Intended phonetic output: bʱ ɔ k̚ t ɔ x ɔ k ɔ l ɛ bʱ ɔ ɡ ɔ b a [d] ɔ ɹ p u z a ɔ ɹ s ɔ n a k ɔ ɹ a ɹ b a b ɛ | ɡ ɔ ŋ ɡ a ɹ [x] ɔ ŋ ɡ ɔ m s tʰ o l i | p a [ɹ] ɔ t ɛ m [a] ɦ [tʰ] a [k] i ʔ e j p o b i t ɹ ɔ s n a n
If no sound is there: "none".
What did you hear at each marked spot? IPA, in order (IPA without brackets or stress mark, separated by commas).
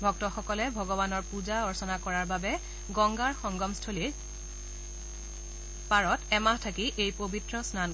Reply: n, x, ɹ, a, tʰ, k